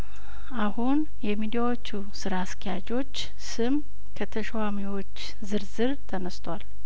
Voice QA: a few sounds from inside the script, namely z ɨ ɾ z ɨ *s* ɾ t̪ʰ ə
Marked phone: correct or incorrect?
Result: incorrect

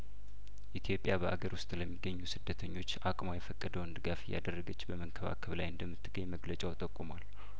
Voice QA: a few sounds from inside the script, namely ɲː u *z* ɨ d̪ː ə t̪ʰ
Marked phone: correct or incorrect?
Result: incorrect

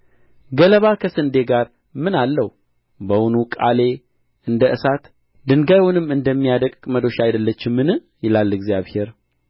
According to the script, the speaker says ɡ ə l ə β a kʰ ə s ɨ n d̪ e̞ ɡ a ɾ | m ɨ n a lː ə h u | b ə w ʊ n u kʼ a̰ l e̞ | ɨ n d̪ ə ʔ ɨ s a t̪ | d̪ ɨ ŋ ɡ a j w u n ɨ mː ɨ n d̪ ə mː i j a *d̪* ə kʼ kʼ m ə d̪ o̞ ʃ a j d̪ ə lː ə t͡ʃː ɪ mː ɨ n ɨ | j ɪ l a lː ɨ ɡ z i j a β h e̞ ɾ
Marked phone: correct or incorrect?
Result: correct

